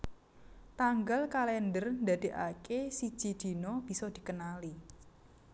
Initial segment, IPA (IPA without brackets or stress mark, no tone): t̪